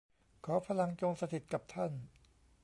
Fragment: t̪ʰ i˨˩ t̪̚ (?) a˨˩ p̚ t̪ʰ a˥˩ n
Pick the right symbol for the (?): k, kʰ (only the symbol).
k